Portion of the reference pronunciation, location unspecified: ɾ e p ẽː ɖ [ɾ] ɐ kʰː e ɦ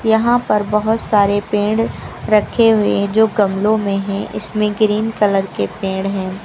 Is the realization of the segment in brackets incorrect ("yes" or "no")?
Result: no